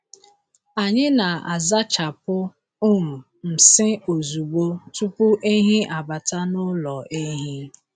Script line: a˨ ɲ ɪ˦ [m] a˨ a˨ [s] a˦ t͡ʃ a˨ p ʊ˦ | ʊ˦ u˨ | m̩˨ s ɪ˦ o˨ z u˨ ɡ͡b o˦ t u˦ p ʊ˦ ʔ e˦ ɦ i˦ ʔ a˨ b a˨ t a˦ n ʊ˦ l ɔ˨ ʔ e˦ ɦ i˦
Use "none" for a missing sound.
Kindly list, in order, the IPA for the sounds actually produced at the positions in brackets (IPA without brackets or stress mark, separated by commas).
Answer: n, z